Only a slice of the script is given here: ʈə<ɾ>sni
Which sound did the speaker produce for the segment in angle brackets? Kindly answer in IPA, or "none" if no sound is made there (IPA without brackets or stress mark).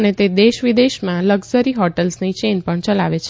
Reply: l